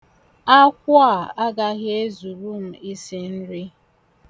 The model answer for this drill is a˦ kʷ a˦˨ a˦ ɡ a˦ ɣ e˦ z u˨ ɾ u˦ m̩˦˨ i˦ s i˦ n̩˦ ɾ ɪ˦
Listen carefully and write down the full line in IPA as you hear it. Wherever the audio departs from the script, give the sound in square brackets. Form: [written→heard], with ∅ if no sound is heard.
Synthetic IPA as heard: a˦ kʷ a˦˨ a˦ ɡ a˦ ɣ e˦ z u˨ ɾ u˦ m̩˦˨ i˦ s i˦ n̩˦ ɾ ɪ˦